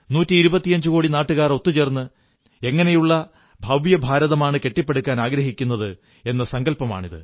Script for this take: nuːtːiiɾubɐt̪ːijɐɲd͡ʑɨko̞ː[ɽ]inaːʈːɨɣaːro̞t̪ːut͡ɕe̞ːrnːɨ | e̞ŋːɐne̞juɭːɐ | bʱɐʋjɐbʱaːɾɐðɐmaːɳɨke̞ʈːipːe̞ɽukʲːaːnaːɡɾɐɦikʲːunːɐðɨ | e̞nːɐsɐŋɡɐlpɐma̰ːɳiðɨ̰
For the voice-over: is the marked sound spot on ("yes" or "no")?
yes